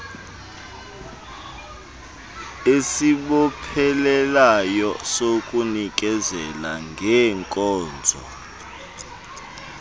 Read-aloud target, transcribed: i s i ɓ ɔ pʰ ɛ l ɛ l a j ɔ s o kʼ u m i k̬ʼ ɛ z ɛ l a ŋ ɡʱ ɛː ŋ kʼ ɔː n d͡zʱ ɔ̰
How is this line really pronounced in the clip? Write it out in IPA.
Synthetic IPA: e s i ɓ ɔ pʰ ɛ l ɛ l a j ɔ s o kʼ u n i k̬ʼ ɛ z ɛ l a ŋ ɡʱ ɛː ŋ kʼ ɔː n d͡zʱ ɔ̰